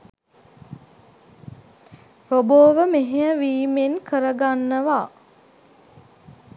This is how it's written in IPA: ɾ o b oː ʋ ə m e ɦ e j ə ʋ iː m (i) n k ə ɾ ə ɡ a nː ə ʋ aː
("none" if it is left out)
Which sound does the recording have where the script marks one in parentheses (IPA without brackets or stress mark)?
e